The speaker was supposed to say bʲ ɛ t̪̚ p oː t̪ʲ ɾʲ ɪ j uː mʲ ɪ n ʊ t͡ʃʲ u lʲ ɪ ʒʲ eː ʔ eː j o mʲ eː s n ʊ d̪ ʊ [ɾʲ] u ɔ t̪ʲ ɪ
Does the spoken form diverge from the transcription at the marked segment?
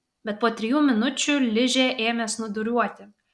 no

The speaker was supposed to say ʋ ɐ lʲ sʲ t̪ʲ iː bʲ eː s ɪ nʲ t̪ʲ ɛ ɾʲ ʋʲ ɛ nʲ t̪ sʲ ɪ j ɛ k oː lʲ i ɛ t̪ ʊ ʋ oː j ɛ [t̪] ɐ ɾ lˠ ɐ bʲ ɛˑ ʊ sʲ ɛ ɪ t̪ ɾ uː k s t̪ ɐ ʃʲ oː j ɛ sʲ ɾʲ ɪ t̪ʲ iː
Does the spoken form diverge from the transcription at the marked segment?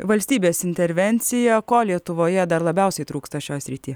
yes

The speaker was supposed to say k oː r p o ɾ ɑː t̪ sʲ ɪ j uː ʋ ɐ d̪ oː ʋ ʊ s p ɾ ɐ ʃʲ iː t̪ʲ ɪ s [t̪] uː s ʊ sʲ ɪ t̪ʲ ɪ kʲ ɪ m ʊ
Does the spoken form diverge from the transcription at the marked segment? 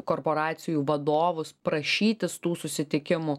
no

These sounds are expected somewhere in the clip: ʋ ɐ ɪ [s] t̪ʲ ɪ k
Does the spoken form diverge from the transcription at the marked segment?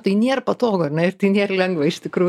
yes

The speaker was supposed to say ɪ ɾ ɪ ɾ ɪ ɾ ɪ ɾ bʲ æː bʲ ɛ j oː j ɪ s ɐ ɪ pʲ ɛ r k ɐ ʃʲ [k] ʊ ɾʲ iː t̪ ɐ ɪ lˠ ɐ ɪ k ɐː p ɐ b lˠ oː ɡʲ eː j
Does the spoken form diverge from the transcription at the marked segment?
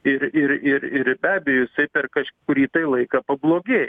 no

